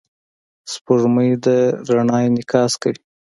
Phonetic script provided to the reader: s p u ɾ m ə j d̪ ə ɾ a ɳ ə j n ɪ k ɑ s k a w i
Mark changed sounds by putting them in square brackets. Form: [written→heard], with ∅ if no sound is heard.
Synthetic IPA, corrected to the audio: s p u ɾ m ə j d̪ ə ɾ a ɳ [ə→ɑ] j n ɪ k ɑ s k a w i